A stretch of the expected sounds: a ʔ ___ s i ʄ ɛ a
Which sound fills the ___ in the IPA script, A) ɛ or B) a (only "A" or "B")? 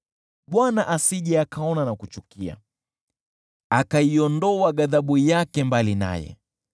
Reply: B